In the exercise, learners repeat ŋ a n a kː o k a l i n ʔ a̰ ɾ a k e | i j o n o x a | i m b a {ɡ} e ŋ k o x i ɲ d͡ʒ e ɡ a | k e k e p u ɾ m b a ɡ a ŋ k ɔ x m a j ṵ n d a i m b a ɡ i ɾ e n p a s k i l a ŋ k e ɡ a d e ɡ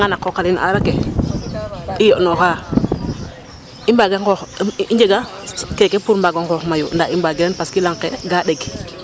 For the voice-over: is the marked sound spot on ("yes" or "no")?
yes